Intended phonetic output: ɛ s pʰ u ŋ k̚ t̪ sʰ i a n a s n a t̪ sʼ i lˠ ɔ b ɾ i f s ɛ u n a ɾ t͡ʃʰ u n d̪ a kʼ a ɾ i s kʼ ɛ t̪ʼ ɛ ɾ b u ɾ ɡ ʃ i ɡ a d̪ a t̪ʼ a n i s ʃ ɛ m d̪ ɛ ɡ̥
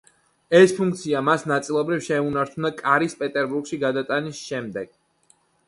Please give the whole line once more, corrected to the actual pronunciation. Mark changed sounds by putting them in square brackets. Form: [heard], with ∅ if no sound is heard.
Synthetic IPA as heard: ɛ s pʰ u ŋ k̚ t̪ sʰ i a [m] a s n a t̪ sʼ i lˠ ɔ b ɾ i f [ʃ] ɛ u n a ɾ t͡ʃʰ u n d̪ a kʼ a ɾ i s [pʼ] ɛ t̪ʼ ɛ ɾ b u ɾ ɡ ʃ i ɡ a d̪ a t̪ʼ a n i s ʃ ɛ m d̪ ɛ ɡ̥